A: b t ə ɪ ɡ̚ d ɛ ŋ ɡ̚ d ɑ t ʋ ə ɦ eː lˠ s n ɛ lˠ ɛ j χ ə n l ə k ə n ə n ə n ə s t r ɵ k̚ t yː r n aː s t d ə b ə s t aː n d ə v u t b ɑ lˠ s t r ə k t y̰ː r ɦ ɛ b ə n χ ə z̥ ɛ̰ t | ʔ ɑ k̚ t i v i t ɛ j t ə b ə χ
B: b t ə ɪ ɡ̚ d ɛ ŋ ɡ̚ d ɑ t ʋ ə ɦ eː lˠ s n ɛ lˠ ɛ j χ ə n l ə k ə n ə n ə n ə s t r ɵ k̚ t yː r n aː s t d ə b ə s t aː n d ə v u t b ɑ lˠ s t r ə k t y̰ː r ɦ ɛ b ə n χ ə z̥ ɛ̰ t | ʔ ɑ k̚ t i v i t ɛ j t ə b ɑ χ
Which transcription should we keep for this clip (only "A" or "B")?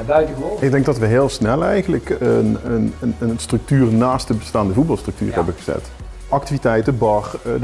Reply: B